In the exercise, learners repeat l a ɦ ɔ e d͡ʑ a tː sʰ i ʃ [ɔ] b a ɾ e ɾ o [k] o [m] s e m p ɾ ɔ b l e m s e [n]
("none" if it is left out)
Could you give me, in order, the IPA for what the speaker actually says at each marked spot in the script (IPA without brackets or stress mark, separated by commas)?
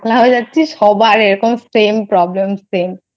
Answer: ɔ, k, m, m